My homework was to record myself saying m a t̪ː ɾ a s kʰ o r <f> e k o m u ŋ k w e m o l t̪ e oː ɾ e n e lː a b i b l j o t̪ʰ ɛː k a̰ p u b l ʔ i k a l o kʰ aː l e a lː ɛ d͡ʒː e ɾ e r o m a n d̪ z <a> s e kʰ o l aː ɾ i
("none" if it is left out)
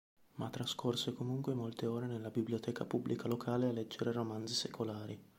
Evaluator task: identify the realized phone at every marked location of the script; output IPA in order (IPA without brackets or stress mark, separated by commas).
s, i